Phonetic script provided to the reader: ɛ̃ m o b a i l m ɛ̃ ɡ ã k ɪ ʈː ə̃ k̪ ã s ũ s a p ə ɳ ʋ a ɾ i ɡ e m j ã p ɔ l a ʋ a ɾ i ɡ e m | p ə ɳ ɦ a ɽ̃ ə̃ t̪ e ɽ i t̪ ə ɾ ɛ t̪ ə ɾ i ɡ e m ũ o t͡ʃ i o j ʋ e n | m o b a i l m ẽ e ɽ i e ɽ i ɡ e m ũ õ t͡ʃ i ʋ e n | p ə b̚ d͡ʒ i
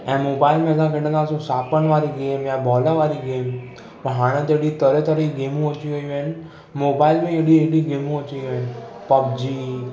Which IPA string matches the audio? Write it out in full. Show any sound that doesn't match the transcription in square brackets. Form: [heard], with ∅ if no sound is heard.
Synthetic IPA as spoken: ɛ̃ m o b a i l m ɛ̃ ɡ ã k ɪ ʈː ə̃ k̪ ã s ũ s a p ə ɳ ʋ a ɾ i ɡ e m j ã [b] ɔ l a ʋ a ɾ i ɡ e m | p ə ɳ ɦ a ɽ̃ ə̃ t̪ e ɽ i t̪ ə ɾ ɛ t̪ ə ɾ i ɡ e m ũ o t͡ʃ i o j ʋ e n | m o b a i l m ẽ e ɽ i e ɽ i ɡ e m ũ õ t͡ʃ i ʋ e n | p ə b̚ d͡ʒ i